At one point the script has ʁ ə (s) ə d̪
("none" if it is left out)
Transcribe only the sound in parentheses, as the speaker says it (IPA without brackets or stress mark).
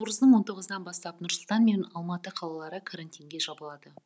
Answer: z